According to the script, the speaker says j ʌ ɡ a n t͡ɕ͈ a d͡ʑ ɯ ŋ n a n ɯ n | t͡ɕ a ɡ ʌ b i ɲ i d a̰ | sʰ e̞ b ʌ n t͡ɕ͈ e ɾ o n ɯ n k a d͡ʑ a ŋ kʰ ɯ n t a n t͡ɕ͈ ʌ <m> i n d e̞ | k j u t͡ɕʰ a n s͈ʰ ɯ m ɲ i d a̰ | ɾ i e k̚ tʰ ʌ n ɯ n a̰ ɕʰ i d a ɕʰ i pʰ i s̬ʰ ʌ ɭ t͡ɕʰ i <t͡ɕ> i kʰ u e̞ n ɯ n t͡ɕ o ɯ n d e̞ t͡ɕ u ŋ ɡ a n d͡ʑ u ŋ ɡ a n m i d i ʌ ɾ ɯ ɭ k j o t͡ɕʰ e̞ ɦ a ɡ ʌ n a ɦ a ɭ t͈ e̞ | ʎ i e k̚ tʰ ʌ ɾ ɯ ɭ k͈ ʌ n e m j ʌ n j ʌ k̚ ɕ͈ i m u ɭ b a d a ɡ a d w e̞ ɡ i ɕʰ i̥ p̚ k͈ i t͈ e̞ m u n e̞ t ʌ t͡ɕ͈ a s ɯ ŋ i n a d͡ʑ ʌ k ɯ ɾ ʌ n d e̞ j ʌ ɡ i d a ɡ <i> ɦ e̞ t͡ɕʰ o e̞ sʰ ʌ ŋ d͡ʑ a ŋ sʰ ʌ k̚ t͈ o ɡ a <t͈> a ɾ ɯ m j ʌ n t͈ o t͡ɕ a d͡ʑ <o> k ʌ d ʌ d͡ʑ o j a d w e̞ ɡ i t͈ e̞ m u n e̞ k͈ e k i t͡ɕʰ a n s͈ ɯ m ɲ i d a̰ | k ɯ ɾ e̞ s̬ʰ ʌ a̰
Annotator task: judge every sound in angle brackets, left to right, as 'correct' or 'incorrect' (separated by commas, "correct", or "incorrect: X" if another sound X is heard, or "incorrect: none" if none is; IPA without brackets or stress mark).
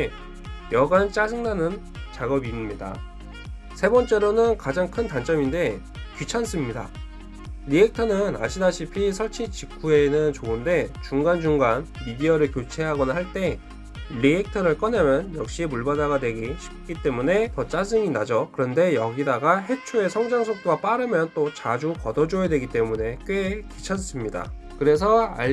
correct, correct, incorrect: a, incorrect: p͈, incorrect: u